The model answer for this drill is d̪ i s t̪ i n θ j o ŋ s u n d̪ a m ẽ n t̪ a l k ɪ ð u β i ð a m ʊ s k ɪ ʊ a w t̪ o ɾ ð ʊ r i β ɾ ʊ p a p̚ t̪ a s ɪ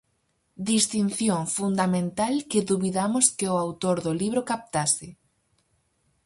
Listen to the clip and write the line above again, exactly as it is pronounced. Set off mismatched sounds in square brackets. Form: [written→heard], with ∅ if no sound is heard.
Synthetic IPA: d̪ i s t̪ i n θ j o ŋ [s→f] u n d̪ a m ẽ n t̪ a l k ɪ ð u β i ð a m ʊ s k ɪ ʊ a w t̪ o ɾ ð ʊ [r→l] i β ɾ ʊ [p→k] a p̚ t̪ a s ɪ